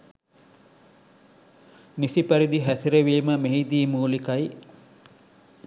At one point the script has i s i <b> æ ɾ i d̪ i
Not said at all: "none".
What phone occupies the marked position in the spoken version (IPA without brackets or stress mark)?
p